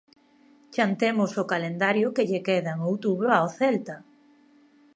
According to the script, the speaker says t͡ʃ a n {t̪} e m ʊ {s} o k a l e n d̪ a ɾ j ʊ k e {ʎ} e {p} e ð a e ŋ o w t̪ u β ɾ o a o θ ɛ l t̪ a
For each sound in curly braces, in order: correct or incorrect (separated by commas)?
correct, correct, correct, incorrect